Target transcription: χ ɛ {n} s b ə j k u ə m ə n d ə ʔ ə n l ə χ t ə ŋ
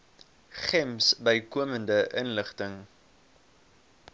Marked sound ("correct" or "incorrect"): incorrect